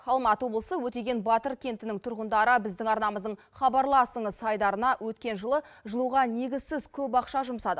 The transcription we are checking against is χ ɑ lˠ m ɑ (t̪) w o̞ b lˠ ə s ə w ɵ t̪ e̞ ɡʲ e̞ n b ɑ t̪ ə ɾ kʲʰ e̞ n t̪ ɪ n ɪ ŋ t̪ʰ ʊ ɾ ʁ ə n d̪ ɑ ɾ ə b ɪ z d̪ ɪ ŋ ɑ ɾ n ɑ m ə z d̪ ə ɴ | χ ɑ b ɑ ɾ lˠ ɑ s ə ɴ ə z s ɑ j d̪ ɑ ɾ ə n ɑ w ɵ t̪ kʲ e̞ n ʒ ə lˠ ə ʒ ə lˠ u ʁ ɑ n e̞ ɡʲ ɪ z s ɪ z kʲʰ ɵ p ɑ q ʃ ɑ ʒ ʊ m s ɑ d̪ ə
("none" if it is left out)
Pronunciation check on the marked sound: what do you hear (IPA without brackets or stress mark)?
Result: t̪